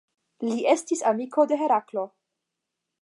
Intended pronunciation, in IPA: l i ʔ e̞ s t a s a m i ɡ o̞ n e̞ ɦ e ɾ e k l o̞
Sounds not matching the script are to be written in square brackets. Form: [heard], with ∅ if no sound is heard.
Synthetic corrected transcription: l i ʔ e̞ s t [i] s a m i [k] o̞ [d] e̞ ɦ e ɾ [a] k l o̞